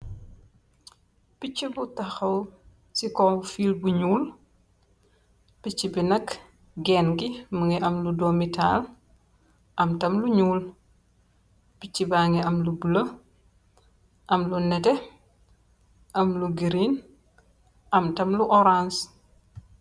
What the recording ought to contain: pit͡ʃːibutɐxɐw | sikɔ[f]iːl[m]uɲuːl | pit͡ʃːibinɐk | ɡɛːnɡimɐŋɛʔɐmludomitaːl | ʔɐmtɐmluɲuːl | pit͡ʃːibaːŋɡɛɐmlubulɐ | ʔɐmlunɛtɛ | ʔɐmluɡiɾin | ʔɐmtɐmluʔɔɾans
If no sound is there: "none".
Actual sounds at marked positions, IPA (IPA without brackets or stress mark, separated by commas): f, b